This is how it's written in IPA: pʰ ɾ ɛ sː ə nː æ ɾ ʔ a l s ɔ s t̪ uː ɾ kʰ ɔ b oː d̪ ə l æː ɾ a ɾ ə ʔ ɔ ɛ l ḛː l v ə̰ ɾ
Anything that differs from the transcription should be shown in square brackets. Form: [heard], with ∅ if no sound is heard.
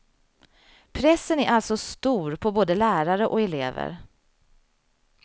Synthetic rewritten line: pʰ ɾ ɛ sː ə [n] æ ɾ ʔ a l s ɔ s t̪ uː ɾ [pʰ] ɔ b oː d̪ ə l æː ɾ a ɾ ə ʔ ɔ ɛ l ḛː [∅] v ə̰ ɾ